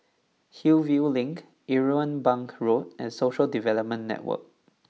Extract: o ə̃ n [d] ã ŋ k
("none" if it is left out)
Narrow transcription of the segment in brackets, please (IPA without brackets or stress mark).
b